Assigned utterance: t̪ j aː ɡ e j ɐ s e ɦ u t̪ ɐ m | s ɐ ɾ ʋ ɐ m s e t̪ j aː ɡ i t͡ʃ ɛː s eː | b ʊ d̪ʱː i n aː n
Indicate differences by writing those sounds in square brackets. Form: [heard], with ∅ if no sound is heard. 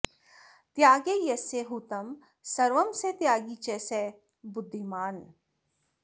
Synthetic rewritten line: t̪ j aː ɡ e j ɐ s e ɦ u t̪ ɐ m | s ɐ ɾ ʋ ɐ m s e t̪ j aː ɡ i t͡ʃ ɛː s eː | b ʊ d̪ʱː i [m] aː n